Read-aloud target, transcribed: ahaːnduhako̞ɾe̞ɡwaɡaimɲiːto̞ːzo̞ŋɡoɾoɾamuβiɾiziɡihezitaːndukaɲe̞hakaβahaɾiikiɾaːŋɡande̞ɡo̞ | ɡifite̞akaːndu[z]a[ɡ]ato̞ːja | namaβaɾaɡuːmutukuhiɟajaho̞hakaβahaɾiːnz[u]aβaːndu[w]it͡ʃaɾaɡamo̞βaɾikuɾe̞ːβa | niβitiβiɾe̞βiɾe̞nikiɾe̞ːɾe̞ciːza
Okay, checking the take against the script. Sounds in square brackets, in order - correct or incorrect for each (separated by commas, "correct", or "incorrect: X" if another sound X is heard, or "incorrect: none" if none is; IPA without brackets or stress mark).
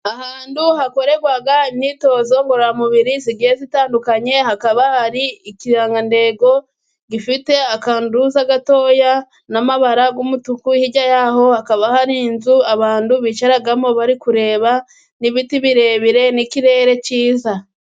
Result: correct, correct, correct, incorrect: β